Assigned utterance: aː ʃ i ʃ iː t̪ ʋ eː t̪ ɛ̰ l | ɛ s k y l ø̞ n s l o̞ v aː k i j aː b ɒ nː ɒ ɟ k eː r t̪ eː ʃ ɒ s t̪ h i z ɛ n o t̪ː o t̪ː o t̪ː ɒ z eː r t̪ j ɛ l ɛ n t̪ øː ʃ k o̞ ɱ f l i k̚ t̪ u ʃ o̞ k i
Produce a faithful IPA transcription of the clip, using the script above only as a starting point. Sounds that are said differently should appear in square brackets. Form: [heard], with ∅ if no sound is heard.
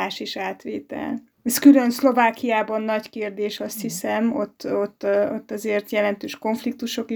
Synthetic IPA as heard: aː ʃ i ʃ [aː] t̪ ʋ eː t̪ ɛ̰ l | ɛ s k y l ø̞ n s l o̞ v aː k i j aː b ɒ nː ɒ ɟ k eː r [d̪] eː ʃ ɒ s t̪ h i [s] ɛ [m] o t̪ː o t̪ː o t̪ː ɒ z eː r t̪ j ɛ l ɛ n t̪ øː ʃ k o̞ ɱ f l i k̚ t̪ u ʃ o̞ k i